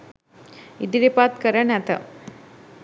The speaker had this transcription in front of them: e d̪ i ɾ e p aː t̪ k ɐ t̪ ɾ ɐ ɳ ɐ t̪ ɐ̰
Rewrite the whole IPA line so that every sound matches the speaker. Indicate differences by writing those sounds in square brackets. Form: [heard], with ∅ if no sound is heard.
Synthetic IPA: [i] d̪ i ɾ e p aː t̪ k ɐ [∅] ɾ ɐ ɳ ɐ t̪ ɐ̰